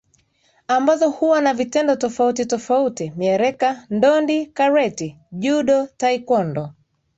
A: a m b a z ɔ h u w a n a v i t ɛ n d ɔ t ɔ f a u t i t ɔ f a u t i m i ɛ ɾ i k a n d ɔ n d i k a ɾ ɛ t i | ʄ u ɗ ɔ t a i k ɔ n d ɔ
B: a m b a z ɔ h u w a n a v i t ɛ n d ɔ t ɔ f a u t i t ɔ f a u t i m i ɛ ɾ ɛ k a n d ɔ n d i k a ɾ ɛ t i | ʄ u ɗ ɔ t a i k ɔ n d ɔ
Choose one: B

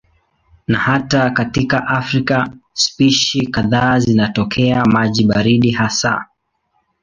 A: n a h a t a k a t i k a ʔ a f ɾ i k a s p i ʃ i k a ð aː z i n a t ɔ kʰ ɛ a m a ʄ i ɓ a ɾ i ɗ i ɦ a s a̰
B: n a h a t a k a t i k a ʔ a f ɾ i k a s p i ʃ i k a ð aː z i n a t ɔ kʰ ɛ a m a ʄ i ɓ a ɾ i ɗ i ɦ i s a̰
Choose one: A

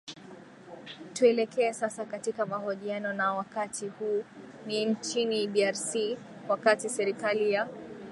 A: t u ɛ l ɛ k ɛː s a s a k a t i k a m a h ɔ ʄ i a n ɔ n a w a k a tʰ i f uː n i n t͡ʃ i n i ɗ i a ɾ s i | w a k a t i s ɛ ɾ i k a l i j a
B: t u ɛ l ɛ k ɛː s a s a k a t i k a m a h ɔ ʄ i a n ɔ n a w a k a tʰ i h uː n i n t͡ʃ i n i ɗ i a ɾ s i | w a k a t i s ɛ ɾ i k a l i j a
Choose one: B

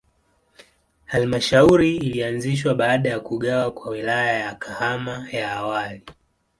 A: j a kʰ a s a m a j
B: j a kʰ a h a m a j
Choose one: B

